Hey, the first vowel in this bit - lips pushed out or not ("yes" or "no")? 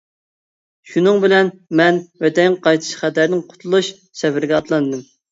yes